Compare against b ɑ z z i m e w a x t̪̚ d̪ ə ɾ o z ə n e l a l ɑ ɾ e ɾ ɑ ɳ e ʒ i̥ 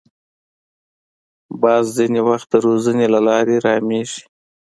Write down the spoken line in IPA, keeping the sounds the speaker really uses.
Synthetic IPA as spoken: b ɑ z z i n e w a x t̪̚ d̪ ə ɾ o z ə n e l a l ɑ ɾ e ɾ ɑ m e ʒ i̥